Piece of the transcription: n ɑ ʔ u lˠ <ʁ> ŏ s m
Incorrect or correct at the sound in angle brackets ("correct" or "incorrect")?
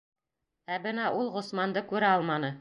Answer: correct